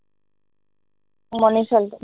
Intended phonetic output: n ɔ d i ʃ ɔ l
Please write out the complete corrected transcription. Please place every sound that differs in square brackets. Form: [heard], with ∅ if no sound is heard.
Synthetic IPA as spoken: [m] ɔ [n] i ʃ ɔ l